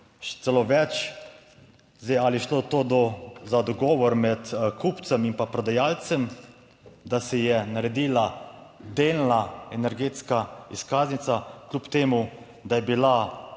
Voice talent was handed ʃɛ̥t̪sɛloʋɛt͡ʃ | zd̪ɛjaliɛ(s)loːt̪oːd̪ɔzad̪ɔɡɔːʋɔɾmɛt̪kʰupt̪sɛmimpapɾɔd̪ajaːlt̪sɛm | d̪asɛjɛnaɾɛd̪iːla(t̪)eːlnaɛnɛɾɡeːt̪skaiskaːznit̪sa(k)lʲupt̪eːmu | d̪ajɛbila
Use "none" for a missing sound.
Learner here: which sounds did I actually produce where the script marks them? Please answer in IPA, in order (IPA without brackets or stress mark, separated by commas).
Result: ʃ, d̪, k